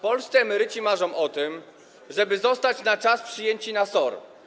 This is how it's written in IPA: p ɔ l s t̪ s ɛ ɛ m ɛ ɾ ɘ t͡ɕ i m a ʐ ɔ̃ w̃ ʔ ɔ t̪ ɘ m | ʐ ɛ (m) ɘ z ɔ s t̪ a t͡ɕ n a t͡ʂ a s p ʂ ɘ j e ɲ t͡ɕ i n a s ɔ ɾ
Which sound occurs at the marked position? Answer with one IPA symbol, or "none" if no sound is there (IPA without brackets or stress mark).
b